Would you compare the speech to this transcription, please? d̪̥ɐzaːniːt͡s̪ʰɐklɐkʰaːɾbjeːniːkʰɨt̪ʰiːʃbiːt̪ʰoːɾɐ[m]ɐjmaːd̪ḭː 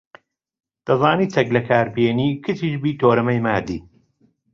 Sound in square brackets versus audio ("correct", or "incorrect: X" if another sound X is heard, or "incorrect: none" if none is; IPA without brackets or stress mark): correct